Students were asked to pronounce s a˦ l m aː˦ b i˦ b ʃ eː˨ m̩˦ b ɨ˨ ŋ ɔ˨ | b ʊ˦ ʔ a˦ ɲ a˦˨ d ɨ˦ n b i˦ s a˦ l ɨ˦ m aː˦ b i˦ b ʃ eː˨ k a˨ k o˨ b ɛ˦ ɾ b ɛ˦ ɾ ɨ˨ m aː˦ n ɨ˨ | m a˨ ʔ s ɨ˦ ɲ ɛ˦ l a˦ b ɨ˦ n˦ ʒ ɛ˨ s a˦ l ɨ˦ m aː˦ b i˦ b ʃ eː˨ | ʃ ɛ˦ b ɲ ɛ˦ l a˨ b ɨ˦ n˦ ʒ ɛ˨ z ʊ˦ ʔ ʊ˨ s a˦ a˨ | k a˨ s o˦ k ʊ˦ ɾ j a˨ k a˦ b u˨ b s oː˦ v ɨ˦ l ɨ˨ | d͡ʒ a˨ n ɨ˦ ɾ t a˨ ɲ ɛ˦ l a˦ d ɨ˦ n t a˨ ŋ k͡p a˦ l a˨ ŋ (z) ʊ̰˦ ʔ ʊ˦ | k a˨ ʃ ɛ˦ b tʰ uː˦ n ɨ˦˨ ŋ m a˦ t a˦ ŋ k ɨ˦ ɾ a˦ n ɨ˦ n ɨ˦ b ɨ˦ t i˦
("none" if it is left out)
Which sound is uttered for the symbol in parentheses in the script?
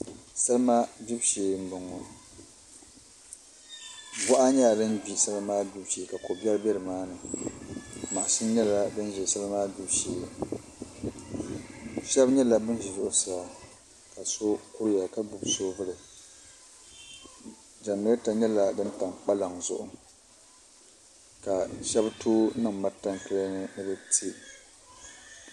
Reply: z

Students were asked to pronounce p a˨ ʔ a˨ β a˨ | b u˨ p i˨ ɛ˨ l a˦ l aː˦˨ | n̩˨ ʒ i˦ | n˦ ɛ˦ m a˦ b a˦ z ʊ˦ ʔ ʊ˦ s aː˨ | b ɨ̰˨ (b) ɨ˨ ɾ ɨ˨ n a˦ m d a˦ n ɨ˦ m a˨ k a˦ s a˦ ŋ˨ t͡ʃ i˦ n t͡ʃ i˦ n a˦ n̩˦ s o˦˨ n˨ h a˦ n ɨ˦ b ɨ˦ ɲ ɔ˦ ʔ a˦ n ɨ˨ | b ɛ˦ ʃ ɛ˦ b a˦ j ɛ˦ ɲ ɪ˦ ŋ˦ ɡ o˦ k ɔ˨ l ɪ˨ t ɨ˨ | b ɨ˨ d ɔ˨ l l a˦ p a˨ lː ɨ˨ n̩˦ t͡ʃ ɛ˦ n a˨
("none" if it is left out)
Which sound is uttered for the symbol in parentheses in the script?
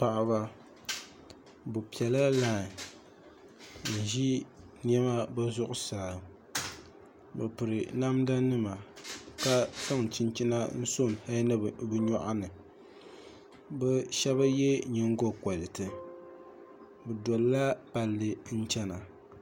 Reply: p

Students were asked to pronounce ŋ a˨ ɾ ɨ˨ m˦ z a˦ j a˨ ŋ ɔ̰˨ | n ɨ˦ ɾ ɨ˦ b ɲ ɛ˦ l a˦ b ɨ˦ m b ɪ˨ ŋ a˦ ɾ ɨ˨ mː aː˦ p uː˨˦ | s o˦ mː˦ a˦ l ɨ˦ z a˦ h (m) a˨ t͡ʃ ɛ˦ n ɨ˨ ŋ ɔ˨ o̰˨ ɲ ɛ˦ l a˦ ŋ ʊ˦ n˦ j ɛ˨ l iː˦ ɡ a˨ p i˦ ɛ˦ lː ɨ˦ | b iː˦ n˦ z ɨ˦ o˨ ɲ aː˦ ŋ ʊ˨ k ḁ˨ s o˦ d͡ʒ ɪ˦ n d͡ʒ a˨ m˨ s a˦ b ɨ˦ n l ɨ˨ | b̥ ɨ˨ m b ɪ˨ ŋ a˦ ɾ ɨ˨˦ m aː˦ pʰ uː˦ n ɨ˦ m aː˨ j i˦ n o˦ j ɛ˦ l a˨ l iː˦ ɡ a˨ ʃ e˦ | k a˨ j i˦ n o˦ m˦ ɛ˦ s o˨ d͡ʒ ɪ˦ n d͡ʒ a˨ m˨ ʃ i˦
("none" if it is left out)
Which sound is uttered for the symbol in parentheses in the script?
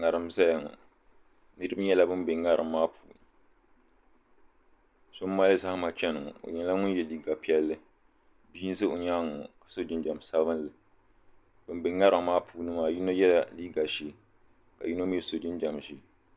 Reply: m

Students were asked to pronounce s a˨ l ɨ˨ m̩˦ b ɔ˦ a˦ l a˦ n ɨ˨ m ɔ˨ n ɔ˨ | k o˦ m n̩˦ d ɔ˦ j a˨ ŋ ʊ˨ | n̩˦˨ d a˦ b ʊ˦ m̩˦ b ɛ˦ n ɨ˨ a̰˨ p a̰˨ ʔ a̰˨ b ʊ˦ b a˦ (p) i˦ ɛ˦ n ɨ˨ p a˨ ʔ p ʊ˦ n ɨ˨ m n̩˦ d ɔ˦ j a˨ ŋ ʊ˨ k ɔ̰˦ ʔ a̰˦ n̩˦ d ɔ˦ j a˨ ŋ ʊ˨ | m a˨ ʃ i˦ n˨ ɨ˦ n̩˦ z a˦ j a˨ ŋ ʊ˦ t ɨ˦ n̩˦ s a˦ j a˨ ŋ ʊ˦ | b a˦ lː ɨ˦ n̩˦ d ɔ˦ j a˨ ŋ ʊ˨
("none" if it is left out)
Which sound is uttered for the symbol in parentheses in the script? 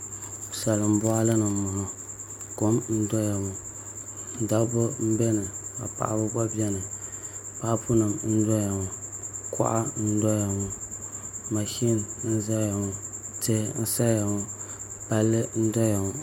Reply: b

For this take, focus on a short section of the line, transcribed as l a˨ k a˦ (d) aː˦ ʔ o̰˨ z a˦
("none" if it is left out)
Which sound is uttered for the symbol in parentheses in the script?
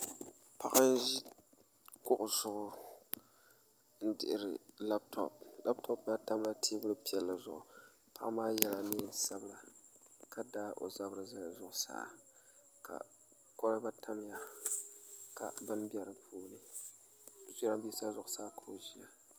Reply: d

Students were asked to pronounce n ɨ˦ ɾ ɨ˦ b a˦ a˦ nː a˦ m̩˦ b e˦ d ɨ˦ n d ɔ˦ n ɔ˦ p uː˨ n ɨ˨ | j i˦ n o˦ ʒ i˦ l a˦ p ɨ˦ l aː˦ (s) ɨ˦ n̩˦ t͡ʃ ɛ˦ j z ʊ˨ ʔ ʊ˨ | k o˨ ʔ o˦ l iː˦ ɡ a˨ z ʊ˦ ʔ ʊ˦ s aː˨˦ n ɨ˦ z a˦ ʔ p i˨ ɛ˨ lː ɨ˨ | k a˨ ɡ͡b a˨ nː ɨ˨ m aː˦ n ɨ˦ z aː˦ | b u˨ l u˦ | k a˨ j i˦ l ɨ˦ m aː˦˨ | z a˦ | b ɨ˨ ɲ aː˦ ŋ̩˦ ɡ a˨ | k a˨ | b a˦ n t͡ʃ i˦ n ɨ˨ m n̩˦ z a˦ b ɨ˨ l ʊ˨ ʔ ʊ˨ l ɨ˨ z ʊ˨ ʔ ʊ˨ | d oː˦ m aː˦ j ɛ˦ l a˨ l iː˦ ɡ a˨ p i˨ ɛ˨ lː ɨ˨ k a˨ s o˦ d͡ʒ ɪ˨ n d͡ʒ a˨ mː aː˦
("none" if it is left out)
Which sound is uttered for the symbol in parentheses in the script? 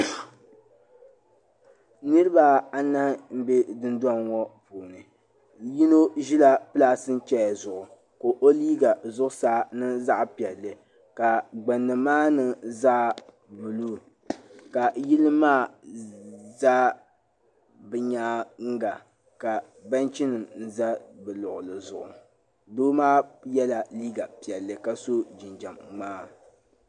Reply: s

